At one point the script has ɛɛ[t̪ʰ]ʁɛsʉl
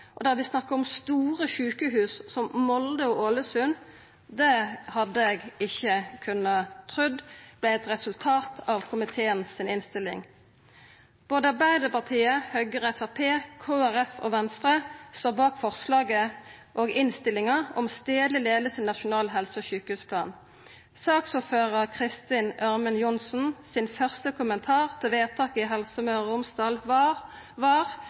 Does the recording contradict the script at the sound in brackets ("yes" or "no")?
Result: yes